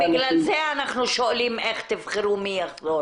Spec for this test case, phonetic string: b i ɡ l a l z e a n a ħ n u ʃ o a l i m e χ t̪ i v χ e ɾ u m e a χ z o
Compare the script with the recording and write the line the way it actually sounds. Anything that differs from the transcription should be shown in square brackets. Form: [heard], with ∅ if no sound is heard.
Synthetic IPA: b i ɡ l a l z e a n a [χ] n u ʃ o a l i m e χ t̪ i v χ e ɾ u m [i] a χ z o